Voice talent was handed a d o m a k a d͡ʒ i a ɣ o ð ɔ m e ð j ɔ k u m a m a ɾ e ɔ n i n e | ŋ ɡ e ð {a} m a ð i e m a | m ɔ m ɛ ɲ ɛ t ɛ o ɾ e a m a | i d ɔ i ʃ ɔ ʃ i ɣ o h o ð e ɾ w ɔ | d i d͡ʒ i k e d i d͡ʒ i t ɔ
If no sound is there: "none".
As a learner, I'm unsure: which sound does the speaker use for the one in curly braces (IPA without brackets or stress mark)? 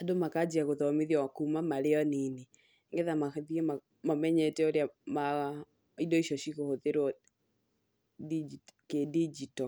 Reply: a